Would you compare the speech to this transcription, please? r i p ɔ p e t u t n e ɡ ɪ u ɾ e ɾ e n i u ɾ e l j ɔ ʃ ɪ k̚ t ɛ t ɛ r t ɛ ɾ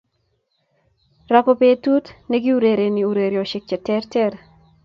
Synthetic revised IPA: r a p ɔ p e t u t n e ɡ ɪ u ɾ e ɾ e n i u ɾ e ɾ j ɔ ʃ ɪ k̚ t͡ʃ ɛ t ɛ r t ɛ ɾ